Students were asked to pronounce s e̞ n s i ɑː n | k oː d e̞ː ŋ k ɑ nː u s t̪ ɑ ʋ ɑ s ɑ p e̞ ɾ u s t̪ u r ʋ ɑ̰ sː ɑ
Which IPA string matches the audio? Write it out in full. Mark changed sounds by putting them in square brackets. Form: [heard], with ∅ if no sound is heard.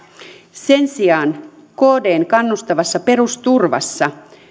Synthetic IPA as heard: s e̞ n s i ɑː n | k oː d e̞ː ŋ k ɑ nː u s t̪ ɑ ʋ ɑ [sː] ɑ p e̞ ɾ u s t̪ u r ʋ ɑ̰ sː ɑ